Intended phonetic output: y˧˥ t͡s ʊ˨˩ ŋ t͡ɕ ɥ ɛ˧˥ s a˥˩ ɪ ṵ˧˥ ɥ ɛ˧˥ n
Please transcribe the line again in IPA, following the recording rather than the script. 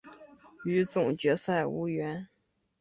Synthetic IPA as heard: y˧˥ t͡s ʊ˨˩ ŋ t͡ɕ ɥ ɛ˧˥ s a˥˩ ɪ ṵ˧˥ ɥ ɛ˧˥ n

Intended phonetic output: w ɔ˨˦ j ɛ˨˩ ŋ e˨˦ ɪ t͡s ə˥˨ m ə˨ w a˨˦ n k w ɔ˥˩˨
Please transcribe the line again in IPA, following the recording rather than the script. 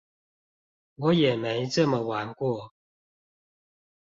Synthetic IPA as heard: w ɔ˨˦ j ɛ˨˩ m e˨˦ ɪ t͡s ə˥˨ m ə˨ w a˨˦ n k w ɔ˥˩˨

